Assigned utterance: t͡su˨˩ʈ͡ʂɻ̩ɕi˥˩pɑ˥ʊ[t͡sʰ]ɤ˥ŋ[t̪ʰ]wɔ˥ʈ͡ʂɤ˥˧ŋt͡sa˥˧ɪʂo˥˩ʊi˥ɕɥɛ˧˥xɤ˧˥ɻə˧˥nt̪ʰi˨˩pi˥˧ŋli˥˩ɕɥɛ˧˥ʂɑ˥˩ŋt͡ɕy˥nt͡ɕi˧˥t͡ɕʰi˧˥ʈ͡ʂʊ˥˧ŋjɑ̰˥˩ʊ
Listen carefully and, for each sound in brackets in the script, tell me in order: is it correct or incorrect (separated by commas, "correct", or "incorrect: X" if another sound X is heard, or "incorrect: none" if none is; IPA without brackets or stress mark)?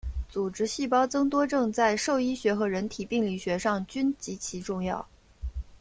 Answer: incorrect: t͡s, incorrect: t̪